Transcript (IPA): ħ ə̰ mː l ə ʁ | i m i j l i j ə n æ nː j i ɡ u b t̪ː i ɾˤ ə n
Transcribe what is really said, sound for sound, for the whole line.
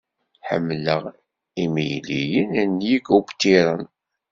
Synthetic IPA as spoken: ħ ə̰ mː l ə ʁ | i m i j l i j ə n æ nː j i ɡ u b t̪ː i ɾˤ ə n